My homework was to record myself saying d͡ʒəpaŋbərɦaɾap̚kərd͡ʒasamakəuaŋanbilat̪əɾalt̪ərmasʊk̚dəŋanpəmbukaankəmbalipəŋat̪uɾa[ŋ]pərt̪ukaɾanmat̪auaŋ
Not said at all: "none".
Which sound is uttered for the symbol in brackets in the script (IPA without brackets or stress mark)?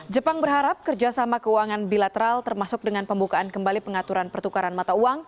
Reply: n